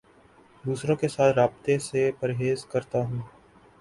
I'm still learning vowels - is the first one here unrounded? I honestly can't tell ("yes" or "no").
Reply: no